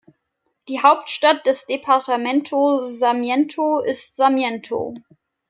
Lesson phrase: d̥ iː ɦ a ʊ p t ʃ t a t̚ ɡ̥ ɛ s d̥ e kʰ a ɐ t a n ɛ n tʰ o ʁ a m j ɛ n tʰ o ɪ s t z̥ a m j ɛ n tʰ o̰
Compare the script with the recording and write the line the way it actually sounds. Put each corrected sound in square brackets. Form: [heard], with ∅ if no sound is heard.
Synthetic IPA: d̥ iː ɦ a ʊ p t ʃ t a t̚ [d̥] ɛ s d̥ e [pʰ] a ɐ t a [m] ɛ n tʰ o [z] a m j ɛ n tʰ o ɪ s t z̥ a m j ɛ n tʰ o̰